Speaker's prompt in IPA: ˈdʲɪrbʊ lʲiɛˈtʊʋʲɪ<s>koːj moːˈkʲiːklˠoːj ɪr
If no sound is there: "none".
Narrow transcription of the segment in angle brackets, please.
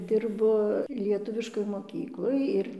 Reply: ʃ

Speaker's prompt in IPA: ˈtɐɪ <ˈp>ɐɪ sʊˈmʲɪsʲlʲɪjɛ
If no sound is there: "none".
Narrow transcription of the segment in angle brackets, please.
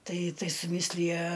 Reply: t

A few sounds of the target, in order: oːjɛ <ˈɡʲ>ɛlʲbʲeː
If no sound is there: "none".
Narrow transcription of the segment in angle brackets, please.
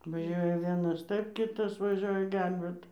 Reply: ɡʲ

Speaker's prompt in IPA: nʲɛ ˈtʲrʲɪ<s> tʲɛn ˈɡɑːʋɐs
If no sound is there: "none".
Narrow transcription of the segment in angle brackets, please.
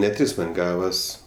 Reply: s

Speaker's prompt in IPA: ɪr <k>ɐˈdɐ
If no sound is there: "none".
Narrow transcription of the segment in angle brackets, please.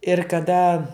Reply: k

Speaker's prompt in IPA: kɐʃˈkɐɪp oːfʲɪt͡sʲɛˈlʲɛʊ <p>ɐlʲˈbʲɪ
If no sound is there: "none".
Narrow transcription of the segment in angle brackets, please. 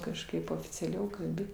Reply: k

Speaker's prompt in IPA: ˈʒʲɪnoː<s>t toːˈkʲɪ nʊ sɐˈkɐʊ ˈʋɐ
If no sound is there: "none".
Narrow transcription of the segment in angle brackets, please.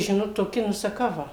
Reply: none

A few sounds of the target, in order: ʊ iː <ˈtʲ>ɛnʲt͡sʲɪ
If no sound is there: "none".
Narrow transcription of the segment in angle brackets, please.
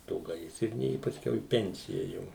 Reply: pʲ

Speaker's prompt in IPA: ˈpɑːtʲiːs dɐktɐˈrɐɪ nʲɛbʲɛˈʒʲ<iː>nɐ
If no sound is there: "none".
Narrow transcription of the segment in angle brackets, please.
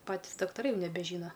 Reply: iː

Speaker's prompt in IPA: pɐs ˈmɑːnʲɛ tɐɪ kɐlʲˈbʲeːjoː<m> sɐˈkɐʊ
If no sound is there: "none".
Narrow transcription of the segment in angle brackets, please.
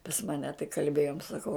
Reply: m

